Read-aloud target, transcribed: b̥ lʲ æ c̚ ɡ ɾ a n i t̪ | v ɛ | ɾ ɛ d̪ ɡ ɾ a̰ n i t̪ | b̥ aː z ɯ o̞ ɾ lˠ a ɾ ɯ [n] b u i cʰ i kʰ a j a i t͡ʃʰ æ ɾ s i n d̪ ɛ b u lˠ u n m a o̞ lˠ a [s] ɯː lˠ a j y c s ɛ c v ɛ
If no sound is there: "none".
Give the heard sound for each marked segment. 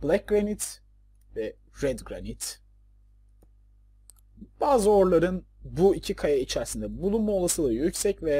n, s

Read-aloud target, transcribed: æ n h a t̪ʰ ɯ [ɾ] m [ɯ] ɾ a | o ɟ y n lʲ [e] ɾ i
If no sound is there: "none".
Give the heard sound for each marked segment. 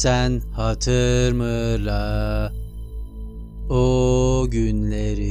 ɾ, ɯ, e

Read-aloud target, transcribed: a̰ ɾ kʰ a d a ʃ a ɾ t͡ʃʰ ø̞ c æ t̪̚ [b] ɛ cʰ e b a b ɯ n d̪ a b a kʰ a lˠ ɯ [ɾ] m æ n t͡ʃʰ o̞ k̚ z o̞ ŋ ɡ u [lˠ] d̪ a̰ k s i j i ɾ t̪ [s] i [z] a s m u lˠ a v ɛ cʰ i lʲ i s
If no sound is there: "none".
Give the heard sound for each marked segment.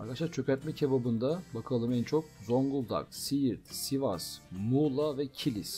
m, none, lˠ, s, v

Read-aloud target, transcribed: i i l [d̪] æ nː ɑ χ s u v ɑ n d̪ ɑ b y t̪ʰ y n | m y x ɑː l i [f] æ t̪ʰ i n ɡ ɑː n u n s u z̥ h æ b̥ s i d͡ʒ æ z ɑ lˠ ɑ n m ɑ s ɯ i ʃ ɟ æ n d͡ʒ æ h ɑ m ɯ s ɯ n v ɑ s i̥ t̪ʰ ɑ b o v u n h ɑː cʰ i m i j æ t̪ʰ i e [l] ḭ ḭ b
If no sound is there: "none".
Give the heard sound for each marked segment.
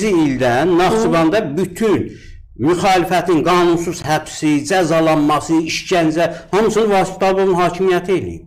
d̪, f, l

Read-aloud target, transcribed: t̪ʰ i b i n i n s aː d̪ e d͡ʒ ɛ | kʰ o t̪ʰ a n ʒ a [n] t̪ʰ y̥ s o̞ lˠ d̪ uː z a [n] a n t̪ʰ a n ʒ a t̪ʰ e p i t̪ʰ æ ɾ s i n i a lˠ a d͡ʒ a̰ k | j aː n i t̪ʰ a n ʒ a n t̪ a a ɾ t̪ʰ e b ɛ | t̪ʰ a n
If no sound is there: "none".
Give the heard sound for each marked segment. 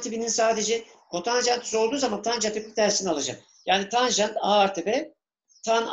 n, m

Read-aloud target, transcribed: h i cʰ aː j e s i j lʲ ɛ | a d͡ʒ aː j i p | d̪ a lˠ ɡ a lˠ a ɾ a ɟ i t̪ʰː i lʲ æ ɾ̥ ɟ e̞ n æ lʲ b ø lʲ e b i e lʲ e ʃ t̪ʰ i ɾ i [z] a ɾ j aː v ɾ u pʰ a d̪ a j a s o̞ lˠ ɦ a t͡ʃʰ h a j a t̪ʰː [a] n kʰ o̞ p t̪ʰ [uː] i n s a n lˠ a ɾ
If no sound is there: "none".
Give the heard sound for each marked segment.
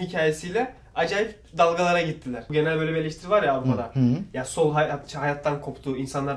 v, a, uː

